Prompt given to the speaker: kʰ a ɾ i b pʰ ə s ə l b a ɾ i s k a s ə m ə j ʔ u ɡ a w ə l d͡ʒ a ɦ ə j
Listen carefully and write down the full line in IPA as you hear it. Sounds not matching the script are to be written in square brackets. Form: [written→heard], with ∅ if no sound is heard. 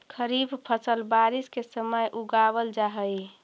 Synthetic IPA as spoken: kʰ [a→ə] ɾ i b pʰ ə s ə l b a ɾ i s k [a→e] s ə m ə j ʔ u ɡ a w ə l d͡ʒ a ɦ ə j